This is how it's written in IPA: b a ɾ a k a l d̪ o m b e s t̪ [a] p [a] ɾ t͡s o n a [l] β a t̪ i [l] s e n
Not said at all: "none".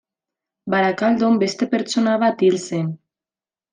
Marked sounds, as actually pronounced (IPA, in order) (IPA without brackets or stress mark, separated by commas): e, e, none, l